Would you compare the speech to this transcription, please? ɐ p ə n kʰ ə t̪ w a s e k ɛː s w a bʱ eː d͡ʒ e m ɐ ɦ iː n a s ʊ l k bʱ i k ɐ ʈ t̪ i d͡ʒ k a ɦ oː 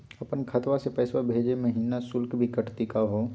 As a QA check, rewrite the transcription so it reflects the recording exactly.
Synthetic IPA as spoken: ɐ p ə n kʰ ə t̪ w a s e p ɛː s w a bʱ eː d͡ʒ e m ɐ ɦ iː n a s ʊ l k bʱ i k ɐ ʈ t̪ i k a ɦ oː